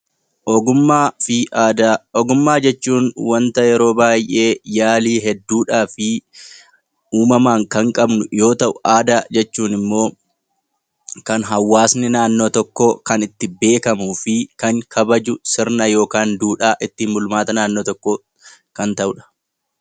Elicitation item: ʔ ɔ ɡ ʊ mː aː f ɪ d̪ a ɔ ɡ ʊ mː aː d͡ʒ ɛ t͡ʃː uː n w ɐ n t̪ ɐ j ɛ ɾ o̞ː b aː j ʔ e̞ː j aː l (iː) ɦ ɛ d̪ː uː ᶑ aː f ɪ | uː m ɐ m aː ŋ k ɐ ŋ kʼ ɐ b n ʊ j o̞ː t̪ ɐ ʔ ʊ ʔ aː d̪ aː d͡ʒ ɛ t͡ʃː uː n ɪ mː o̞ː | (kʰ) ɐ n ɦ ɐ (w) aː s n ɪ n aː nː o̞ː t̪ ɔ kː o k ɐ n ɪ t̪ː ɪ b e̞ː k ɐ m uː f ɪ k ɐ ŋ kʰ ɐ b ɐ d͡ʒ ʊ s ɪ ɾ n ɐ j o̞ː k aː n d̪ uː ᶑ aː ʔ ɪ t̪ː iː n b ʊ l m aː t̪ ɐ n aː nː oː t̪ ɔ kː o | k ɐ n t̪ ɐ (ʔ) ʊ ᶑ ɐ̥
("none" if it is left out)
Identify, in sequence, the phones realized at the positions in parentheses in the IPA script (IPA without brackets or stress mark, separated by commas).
iː, k, wː, ʔ